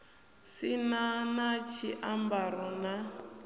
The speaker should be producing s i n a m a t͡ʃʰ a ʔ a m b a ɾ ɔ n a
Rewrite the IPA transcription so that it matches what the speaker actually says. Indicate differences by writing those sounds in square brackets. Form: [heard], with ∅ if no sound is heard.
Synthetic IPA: s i n a [n] a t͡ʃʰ [i] ʔ a m b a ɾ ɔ n a